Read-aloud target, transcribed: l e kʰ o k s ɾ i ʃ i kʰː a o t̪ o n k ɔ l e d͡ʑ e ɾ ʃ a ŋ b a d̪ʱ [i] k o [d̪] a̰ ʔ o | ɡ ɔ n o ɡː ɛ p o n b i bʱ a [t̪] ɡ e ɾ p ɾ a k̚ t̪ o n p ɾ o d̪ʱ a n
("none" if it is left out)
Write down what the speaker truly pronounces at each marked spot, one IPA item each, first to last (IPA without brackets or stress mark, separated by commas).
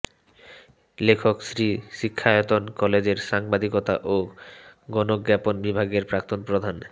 i, t̪, none